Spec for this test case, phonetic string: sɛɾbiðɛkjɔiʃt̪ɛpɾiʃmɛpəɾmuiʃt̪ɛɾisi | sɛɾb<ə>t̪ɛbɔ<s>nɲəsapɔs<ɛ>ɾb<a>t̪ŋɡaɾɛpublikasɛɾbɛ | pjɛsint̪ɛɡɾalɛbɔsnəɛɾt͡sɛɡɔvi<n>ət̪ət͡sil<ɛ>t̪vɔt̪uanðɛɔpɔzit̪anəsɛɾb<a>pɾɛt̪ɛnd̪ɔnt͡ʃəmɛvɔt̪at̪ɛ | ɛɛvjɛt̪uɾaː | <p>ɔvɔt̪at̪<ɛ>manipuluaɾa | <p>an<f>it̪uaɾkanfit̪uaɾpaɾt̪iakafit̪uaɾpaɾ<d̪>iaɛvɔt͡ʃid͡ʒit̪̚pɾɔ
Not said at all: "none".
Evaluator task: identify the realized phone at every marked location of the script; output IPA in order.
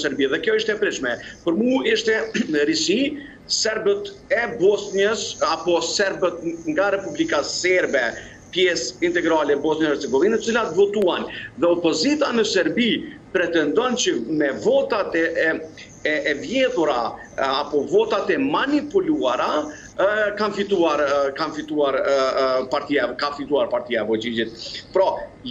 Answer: ə, s, ɛ, ə, n, a, i, p, ɛ, k, f, t̪

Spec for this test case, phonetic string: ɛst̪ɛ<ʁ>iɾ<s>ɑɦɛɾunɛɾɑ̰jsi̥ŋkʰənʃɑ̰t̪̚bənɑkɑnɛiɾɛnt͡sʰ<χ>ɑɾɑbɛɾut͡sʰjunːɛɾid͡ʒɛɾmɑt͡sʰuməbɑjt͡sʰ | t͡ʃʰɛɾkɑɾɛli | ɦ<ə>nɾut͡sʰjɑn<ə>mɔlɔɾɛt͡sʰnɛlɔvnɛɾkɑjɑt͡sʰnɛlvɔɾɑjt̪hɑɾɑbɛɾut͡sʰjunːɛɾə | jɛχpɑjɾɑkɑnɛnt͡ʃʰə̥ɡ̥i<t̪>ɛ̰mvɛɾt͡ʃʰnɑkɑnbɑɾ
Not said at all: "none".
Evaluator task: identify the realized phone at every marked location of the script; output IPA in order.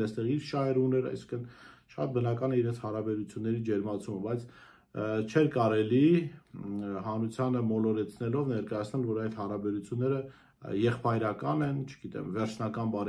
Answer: ʁ, ʃ, h, ɑ, ə, t̪

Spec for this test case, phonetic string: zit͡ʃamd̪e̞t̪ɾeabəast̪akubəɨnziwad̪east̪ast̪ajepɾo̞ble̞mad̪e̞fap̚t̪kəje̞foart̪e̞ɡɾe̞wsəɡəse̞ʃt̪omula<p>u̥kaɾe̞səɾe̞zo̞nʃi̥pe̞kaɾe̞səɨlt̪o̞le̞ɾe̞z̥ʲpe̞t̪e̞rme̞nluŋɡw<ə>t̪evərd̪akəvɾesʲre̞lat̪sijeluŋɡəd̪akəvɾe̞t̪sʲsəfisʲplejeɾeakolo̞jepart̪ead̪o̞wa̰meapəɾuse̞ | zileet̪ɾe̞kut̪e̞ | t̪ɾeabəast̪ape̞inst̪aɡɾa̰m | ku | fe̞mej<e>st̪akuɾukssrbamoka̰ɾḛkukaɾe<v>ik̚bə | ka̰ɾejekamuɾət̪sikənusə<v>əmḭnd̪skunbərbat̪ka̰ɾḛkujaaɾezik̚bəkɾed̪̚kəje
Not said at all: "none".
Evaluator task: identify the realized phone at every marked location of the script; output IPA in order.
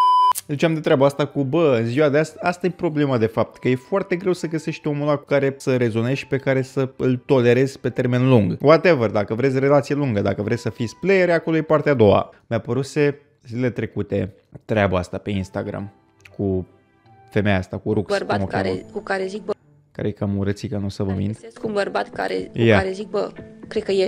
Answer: k, a, a, z, v

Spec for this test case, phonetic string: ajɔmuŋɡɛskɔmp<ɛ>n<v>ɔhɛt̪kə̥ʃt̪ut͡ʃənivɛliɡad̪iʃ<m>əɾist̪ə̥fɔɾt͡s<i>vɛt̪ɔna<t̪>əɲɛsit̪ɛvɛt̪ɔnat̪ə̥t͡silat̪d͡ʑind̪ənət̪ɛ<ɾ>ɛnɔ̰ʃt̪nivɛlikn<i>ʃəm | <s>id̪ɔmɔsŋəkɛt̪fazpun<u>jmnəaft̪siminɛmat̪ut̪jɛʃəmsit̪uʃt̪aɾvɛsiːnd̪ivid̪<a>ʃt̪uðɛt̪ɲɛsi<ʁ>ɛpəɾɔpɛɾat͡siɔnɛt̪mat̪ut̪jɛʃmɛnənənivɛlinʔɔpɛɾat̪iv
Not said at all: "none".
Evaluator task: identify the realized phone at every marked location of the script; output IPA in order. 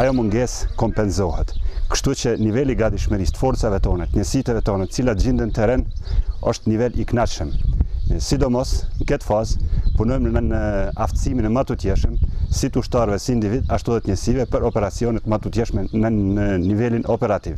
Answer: ɛ, z, m, a, t̪, ɾ, a, s, ɔ, a, v

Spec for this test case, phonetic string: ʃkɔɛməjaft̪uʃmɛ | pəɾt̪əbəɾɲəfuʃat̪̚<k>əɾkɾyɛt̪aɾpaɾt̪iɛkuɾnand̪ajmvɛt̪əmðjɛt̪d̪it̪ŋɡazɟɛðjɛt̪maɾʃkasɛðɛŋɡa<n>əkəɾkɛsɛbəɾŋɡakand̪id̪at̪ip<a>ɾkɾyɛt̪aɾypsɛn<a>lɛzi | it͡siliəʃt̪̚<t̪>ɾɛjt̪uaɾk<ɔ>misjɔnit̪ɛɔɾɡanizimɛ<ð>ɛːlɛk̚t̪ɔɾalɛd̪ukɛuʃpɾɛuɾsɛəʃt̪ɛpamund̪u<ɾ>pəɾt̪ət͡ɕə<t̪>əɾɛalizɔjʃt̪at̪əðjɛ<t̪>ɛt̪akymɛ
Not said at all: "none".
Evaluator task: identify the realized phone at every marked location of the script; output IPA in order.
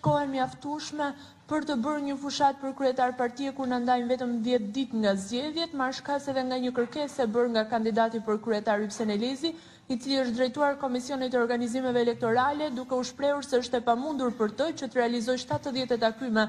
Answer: p, ɲ, ə, ɛ, d̪, ɔ, v, ɾ, t̪, t̪

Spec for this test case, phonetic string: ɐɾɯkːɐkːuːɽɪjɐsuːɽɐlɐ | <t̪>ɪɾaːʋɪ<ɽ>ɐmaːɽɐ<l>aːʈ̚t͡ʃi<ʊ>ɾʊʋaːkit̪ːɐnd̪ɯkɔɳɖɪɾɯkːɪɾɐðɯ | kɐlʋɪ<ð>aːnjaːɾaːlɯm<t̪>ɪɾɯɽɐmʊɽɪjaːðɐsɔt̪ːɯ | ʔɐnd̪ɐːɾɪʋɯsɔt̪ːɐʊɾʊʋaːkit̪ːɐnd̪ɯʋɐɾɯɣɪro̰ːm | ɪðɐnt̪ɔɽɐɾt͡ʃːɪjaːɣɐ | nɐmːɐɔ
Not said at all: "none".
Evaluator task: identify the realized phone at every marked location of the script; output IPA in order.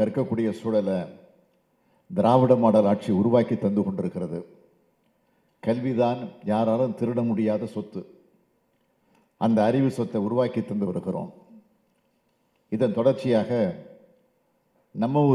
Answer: d̪, ɽ, l, ʊ, ð, t̪

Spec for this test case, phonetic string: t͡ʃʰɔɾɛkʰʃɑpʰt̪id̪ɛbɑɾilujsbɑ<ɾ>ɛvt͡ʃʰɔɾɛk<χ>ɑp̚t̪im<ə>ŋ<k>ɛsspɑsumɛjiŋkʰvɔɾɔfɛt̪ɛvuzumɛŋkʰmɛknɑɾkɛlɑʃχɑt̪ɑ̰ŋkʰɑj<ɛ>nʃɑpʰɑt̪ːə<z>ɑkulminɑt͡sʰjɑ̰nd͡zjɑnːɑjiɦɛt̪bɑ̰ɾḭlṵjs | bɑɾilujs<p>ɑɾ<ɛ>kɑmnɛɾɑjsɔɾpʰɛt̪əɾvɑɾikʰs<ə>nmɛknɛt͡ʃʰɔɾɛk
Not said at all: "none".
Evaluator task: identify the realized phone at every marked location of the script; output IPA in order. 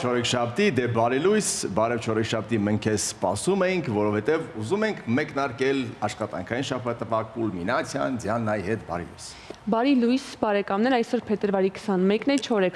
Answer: ɾ, ʃ, ə, kʰ, i, v, b, ɛ, ɑ

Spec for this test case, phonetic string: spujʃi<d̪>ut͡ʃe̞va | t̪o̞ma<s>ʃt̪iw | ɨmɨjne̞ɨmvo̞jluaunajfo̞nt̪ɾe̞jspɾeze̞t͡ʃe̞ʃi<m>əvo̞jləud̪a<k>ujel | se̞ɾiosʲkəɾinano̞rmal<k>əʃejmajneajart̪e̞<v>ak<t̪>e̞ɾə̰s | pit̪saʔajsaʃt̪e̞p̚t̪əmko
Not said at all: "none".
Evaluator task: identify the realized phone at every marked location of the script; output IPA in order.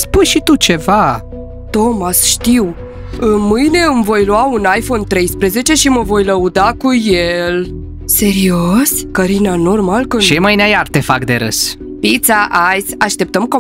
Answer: t̪, s, m, k, k, f, d̪

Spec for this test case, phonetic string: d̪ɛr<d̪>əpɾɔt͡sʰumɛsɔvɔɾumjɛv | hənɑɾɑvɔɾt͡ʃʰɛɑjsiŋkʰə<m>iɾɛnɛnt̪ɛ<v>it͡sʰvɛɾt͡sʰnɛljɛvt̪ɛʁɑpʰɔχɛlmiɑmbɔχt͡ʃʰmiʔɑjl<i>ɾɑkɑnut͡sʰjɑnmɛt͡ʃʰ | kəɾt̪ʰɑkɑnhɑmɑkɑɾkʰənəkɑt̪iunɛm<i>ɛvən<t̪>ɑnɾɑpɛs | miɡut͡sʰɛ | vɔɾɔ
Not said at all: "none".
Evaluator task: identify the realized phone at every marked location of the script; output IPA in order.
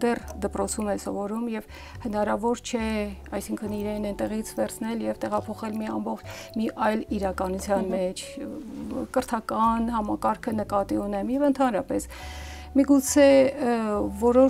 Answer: d̪, n, ʁ, i, j, t̪ʰ

